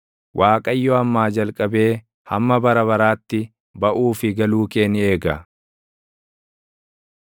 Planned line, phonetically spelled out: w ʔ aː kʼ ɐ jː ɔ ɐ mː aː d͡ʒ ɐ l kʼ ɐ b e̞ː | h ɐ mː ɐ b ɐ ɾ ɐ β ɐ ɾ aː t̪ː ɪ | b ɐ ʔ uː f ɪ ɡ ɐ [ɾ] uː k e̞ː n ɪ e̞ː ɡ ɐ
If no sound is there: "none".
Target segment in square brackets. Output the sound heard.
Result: l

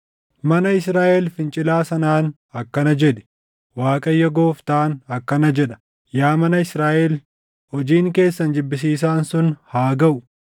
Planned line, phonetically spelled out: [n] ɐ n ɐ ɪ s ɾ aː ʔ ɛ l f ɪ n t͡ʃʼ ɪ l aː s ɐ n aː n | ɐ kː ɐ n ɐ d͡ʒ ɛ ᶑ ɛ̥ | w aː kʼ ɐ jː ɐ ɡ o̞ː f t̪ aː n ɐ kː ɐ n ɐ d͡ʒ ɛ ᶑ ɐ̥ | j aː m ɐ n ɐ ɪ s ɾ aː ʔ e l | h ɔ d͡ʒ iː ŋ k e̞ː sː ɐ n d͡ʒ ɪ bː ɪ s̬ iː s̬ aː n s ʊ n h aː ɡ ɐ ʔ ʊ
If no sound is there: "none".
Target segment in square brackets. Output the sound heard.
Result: m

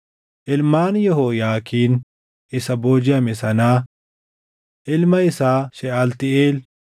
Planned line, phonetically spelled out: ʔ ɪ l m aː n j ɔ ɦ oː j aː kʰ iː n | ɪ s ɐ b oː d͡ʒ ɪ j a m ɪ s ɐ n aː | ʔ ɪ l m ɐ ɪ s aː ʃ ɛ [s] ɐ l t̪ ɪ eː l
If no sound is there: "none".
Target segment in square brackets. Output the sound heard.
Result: none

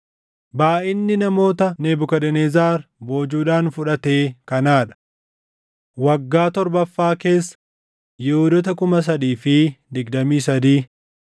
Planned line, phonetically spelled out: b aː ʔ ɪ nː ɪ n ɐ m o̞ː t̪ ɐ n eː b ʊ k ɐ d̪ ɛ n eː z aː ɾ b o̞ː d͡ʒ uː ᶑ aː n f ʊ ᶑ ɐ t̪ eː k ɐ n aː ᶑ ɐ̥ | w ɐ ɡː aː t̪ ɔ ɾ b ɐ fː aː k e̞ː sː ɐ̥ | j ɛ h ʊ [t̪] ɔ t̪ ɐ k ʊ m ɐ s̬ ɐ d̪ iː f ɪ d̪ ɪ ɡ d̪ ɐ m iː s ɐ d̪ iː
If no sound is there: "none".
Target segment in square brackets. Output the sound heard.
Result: d̪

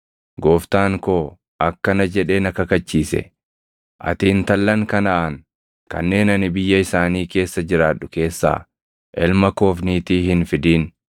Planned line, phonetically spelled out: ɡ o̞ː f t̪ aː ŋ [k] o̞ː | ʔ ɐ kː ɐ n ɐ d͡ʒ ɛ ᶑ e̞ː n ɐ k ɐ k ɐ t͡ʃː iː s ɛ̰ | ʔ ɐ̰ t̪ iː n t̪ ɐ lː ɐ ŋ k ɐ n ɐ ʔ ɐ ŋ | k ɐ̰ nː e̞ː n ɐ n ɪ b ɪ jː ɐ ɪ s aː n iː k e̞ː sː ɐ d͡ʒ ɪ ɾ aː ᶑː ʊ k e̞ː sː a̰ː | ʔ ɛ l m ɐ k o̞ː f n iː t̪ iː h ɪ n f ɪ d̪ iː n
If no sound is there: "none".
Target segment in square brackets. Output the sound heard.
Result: k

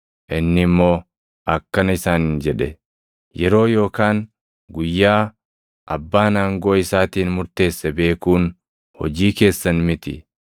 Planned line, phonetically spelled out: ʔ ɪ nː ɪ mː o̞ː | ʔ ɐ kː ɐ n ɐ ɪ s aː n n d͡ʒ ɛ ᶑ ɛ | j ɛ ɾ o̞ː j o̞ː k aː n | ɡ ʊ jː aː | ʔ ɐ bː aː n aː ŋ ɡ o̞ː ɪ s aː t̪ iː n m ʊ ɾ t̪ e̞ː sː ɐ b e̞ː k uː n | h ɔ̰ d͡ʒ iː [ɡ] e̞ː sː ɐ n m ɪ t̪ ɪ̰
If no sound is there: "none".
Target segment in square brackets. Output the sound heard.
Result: k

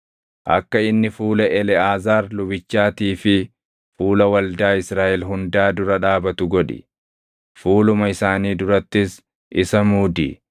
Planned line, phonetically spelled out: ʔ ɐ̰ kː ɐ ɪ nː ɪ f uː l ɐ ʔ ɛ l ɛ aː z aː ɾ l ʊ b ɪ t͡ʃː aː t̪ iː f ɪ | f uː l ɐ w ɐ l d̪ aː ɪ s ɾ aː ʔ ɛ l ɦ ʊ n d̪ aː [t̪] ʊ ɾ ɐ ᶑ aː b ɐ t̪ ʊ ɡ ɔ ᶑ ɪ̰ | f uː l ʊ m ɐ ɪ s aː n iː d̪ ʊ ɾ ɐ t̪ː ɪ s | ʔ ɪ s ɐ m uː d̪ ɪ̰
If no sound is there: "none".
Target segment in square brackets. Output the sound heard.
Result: d̪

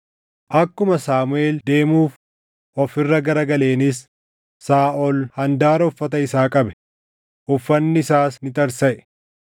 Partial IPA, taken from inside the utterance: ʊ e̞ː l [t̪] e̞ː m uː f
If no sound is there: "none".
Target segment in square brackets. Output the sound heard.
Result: d̪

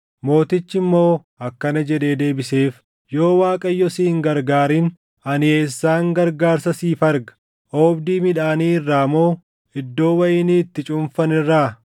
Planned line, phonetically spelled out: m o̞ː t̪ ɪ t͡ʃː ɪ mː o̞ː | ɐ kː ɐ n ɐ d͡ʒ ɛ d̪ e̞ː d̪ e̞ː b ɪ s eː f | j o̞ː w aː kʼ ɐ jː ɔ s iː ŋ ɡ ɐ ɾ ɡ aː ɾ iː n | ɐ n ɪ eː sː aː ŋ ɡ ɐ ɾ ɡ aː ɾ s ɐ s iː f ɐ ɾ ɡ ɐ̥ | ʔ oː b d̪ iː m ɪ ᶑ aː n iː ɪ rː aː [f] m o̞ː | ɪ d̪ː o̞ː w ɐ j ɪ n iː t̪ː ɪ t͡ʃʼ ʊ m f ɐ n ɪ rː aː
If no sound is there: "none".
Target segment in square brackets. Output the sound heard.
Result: none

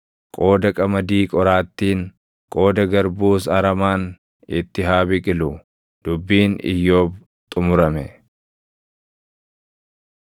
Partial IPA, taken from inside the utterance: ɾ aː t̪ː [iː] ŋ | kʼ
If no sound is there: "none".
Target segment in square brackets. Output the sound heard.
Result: iː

